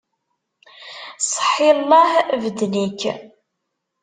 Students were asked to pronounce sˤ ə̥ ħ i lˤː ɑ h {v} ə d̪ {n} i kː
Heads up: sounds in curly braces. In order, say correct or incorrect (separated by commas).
correct, correct